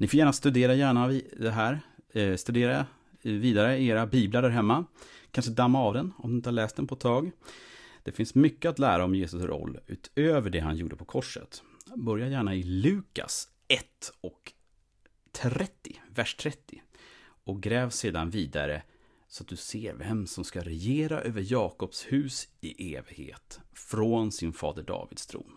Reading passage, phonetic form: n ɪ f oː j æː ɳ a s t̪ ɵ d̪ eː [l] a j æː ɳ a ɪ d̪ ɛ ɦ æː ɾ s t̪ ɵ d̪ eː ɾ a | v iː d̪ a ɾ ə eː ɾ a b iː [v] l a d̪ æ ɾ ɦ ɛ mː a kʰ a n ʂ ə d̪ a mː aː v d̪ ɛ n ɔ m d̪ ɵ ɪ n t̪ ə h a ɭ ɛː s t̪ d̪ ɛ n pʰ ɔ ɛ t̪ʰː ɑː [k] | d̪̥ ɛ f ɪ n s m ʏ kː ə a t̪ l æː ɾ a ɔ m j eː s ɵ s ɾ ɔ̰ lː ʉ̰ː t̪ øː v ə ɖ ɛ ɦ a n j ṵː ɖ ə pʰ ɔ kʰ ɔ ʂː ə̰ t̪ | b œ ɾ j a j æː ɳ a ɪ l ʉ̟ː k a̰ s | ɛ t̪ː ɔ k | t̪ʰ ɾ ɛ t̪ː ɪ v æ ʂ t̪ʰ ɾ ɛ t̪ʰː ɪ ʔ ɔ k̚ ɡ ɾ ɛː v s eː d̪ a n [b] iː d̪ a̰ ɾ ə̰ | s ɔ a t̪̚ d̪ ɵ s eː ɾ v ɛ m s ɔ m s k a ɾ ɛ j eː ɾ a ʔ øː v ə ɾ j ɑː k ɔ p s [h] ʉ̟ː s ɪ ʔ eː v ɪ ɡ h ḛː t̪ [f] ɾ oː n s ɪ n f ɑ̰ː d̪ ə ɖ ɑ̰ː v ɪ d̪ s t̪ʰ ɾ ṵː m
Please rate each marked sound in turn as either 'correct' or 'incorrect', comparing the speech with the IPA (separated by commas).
incorrect, incorrect, incorrect, incorrect, correct, correct